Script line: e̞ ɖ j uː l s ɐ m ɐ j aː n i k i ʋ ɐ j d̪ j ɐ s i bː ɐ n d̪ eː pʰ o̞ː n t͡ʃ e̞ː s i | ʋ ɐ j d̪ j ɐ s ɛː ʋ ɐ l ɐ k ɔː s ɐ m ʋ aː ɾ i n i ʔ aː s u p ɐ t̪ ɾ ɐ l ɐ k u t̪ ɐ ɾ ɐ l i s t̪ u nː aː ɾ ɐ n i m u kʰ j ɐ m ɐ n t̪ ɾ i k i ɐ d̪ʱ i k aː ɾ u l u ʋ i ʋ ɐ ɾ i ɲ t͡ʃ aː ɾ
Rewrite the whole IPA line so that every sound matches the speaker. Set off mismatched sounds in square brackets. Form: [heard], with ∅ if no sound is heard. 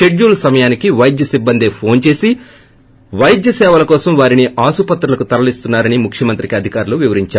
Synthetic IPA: e̞ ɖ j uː l s ɐ m ɐ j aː n i k i ʋ ɐ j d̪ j ɐ s i bː ɐ n d̪ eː pʰ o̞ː n t͡ʃ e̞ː s i | ʋ ɐ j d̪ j ɐ s ɛː ʋ ɐ l ɐ k ɔː s ɐ m ʋ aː ɾ i n i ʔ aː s u p ɐ t̪ ɾ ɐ l ɐ k u t̪ ɐ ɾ ɐ l i s t̪ u nː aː ɾ ɐ n i m u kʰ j ɐ m ɐ n t̪ ɾ i k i ɐ d̪ʱ i k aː ɾ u l u ʋ i ʋ ɐ ɾ i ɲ t͡ʃ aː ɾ